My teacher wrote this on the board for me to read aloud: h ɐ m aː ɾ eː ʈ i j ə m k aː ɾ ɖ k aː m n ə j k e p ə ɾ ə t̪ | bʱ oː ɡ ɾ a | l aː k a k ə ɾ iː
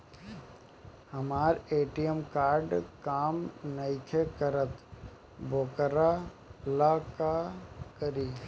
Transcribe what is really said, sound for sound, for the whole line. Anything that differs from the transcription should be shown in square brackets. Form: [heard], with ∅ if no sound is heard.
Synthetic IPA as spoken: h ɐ m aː ɾ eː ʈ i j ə m k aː ɾ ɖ k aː m n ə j [kʰ] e [k] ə ɾ ə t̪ | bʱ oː [k] ɾ a | l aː k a k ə ɾ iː

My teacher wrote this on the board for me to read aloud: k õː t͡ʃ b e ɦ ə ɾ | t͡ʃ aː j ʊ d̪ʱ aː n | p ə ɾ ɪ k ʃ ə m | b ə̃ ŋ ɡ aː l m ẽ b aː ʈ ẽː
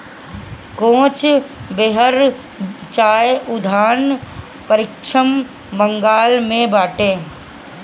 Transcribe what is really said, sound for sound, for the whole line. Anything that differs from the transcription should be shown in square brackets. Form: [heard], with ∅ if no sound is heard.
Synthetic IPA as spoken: k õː t͡ʃ b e ɦ ə ɾ | t͡ʃ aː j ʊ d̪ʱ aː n | p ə ɾ ɪ k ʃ ə m | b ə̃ ŋ ɡ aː l m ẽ b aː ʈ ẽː

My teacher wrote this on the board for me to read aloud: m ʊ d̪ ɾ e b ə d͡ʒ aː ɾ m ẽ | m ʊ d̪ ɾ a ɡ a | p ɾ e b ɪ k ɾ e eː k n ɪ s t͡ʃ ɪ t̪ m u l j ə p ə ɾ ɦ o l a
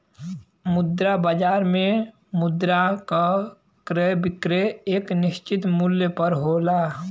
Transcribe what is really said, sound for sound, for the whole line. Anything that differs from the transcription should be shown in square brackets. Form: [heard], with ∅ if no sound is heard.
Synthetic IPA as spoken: m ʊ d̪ ɾ [a] b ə d͡ʒ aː ɾ m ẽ | m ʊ d̪ ɾ a [k] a | [k] ɾ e b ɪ k ɾ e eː k n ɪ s t͡ʃ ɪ t̪ m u l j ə p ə ɾ ɦ o l a

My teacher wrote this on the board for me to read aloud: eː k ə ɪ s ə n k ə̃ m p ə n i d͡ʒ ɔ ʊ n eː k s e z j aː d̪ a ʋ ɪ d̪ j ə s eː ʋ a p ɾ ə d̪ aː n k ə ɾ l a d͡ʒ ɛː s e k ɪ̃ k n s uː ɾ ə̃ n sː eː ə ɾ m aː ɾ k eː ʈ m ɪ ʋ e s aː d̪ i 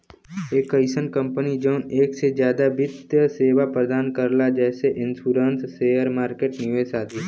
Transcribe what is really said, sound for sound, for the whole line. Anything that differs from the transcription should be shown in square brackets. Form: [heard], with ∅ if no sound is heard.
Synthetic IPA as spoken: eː k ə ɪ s ə n k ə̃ m p ə n i d͡ʒ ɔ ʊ n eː k s e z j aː d̪ a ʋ ɪ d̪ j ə s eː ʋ a p ɾ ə d̪ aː n k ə ɾ l a d͡ʒ ɛː s e [ʔ] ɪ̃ [∅] n s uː ɾ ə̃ n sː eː ə ɾ m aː ɾ k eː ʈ [n] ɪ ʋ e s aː d̪ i

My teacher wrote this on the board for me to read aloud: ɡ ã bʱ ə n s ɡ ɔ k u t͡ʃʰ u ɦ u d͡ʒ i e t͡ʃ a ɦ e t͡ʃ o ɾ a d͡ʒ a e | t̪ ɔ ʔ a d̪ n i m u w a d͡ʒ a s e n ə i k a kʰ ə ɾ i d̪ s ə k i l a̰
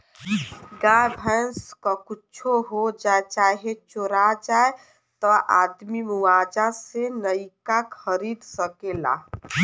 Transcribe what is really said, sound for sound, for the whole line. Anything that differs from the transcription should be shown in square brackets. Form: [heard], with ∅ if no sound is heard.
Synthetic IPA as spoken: ɡ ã bʱ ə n s [k] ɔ k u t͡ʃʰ [o] ɦ [o] d͡ʒ [a] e t͡ʃ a ɦ e t͡ʃ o ɾ a d͡ʒ a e | t̪ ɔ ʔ a d̪ [m] i m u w a d͡ʒ a s e n ə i k a kʰ ə ɾ i d̪ s ə k [e] l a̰

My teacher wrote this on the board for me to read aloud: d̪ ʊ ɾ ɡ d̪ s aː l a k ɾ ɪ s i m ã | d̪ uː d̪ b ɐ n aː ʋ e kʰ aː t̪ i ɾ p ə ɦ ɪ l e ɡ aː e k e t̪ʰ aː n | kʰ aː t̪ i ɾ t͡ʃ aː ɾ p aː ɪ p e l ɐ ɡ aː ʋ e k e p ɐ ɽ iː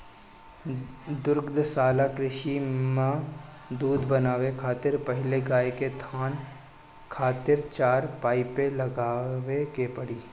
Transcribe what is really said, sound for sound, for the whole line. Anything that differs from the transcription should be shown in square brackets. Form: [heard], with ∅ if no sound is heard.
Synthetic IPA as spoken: d̪ ʊ ɾ ɡ d̪ s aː l a k ɾ ɪ [ʃ] i m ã | d̪ uː d̪ b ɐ n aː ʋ e kʰ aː t̪ [ɪ] ɾ p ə ɦ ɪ l e ɡ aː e k e t̪ʰ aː n | kʰ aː t̪ [ɪ] ɾ t͡ʃ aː ɾ p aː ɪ p e l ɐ ɡ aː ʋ e k e p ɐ ɽ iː

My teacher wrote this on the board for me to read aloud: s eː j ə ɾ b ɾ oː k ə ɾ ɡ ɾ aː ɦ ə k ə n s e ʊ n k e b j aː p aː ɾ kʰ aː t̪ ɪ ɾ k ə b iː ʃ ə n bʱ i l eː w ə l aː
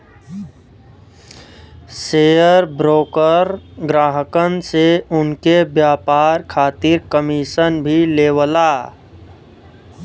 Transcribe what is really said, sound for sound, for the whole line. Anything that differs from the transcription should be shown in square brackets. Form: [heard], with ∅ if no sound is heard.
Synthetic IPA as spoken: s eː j ə ɾ b ɾ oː k ə ɾ ɡ ɾ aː ɦ ə k ə n s e ʊ n k e b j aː p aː ɾ kʰ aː t̪ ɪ ɾ k ə [m] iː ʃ ə n bʱ i l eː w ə l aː

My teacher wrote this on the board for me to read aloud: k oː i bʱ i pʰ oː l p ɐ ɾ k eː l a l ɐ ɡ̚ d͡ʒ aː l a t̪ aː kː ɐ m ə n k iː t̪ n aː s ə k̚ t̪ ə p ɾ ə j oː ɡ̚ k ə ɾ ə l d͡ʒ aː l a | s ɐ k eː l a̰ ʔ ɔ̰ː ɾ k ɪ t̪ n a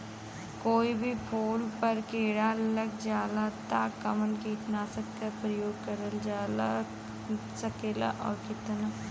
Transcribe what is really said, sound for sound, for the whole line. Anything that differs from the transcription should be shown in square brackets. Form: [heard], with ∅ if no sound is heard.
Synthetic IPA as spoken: k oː i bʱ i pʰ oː l p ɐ ɾ k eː [ɽ] a l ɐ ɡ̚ d͡ʒ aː l a t̪ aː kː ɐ m ə n k iː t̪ n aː s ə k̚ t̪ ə p ɾ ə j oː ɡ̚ k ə ɾ ə l d͡ʒ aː l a | s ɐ k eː l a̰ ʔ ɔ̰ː ɾ k ɪ t̪ n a

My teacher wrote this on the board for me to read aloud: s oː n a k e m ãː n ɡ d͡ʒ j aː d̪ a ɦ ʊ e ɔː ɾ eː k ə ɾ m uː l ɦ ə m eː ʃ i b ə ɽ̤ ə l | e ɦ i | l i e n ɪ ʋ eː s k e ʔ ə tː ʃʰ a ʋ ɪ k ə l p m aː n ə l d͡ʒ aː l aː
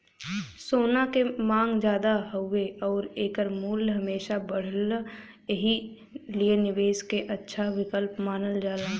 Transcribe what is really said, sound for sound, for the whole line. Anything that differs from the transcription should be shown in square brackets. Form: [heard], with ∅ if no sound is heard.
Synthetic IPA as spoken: s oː n a k e m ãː [ŋ] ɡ d͡ʒ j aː d̪ a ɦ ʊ e ɔː ɾ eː k ə ɾ m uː l ɦ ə m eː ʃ [a] b ə ɽ̤ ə l | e ɦ i | l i e n ɪ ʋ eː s k e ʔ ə tː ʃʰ a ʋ ɪ k ə l p m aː n ə l d͡ʒ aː l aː

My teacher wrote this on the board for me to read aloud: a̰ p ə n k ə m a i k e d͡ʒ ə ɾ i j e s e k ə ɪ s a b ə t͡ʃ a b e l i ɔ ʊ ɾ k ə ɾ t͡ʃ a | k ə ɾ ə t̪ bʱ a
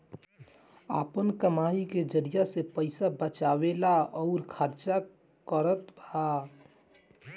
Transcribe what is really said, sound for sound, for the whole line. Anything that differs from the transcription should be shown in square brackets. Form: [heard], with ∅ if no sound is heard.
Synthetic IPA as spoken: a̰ p ə n k ə m a i k e d͡ʒ ə ɾ i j [a] s e [p] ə ɪ s a b ə t͡ʃ a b e l [a] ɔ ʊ ɾ [kʰ] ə ɾ t͡ʃ a | k ə ɾ ə t̪ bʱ a

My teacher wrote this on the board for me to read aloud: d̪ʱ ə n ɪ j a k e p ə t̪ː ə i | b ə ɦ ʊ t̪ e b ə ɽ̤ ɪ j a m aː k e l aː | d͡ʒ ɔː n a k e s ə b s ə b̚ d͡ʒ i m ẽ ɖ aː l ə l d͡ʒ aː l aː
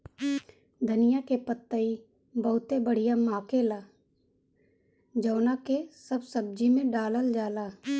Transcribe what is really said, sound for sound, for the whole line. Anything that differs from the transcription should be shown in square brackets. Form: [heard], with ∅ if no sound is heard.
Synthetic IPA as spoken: d̪ʱ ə n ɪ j a k e p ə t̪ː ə i | b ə ɦ ʊ t̪ e b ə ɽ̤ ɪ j a m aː k e l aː | d͡ʒ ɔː n a k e s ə b s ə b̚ d͡ʒ i m ẽ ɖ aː l ə l d͡ʒ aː l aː

